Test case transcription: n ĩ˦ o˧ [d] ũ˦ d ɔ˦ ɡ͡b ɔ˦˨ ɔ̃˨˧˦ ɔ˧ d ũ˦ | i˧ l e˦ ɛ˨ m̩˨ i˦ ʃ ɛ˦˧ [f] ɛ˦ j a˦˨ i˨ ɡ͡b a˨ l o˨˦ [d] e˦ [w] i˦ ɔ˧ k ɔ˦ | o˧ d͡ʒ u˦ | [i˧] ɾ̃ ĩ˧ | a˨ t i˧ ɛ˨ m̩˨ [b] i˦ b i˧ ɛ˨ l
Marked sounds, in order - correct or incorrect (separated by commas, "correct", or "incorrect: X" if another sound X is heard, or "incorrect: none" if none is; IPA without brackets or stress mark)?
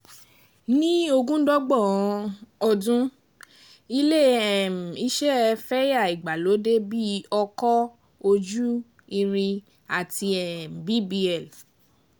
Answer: incorrect: ɡ, correct, correct, incorrect: b, correct, correct